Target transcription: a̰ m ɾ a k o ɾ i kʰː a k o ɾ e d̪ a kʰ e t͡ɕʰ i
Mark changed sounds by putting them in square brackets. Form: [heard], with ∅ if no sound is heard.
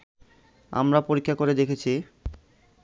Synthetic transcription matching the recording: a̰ m ɾ a [p] o ɾ i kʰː a k o ɾ e d̪ [e] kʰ e t͡ɕʰ i